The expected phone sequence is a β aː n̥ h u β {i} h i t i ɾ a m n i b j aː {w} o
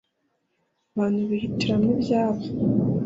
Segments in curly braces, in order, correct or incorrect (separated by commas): correct, incorrect